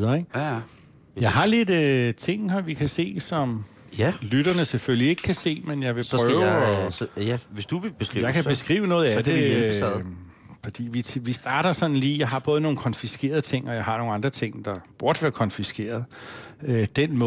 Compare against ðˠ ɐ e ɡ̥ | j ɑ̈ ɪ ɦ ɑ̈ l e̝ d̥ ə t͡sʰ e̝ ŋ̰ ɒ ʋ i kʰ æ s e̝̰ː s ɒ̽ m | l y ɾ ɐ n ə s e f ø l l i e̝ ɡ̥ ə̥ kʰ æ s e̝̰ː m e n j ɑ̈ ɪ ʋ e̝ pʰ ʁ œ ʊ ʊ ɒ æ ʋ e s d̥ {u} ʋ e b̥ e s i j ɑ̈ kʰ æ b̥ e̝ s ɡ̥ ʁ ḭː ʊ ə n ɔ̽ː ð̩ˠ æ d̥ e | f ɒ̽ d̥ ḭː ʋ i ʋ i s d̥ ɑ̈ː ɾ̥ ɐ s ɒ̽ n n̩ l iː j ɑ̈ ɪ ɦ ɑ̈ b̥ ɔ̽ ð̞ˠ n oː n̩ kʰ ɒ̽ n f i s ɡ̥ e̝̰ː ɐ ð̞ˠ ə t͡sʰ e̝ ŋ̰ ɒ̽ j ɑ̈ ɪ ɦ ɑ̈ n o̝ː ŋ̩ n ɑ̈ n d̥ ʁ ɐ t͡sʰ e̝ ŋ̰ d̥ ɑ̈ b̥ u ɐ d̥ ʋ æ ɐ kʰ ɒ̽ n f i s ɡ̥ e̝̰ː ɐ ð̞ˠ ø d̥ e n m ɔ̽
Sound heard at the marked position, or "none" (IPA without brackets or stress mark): u